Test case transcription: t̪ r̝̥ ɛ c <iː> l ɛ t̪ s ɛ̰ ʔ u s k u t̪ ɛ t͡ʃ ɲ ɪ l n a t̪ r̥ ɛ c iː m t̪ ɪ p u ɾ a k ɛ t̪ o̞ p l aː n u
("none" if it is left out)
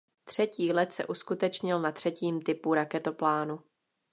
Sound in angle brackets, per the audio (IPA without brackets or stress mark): iː